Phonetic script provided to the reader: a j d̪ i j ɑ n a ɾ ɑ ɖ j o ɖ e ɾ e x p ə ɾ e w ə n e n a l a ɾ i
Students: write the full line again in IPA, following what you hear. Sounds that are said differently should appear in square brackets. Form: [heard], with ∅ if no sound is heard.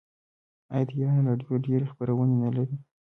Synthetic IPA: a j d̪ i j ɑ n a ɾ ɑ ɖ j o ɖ e ɾ e x p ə ɾ [a] w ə n e n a l a ɾ i